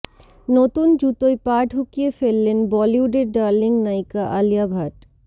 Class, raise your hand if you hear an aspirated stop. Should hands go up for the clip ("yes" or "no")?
no